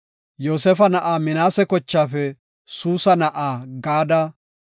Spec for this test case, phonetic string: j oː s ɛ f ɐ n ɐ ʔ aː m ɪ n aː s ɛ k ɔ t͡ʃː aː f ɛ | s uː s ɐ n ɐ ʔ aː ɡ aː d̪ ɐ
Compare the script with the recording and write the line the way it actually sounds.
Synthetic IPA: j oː s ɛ f ɐ n ɐ ʔ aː m ɪ n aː s ɛ k ɔ t͡ʃː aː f ɛ | s uː s ɐ n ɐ ʔ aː ɡ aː d̪ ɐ